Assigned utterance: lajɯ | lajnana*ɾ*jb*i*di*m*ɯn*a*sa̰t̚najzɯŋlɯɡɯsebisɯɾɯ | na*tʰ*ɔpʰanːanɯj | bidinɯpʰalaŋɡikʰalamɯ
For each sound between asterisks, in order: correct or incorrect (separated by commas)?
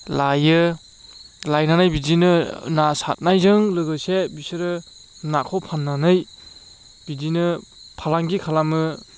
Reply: incorrect, correct, incorrect, correct, incorrect